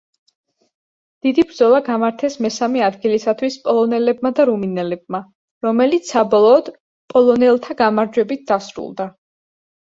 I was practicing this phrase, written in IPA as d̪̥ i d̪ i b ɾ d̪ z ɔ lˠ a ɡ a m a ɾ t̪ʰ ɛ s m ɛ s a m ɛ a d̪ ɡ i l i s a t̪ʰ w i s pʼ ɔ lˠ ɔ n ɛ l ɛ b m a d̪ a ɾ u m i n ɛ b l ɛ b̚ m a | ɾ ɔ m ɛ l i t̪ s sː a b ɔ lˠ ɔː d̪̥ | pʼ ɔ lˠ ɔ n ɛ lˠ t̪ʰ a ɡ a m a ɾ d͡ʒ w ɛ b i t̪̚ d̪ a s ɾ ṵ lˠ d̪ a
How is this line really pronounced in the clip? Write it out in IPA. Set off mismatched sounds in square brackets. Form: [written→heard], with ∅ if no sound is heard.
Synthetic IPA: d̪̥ i d̪ i b ɾ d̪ z ɔ lˠ a ɡ a m a ɾ t̪ʰ ɛ s m ɛ s a m ɛ a d̪ ɡ i l i s a t̪ʰ w i s pʼ ɔ lˠ ɔ n ɛ l ɛ b m a d̪ a ɾ u m i n ɛ [b→∅] l ɛ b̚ m a | ɾ ɔ m ɛ l i t̪ s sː a b ɔ lˠ ɔː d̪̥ | pʼ ɔ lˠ ɔ n ɛ lˠ t̪ʰ a ɡ a m a ɾ d͡ʒ w ɛ b i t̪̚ d̪ a s ɾ ṵ lˠ d̪ a